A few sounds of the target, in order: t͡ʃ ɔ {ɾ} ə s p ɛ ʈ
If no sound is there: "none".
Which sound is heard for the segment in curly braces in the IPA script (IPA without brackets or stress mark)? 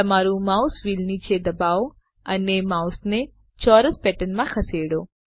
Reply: ɾ